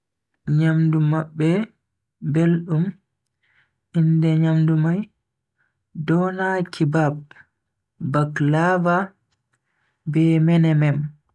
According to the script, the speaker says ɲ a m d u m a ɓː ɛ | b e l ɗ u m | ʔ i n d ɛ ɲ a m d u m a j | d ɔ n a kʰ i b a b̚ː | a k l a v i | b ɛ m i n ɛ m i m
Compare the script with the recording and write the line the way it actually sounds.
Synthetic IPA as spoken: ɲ a m d u m a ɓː ɛ | b e l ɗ u m | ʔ i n d ɛ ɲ a m d u m a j | d ɔ n a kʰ i b a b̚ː | a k l a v a | b ɛ m ɛ n ɛ m ɛ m